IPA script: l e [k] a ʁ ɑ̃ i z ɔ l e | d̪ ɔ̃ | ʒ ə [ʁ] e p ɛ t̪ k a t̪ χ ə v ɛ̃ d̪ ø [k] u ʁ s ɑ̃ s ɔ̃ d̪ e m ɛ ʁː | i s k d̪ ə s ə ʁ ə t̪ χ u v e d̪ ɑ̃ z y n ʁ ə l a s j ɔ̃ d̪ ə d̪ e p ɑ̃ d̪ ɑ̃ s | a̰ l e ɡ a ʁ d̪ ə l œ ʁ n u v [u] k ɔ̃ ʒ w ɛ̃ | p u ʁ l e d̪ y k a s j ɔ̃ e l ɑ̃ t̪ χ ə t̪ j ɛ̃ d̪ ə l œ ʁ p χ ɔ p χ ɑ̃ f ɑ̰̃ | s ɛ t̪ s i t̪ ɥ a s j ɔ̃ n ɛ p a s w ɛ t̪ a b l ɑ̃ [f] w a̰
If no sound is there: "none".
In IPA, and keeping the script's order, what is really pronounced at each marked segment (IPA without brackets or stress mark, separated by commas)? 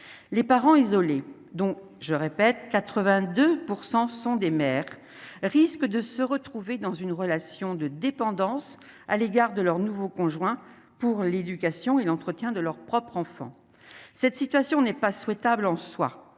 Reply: p, ʁ, p, o, s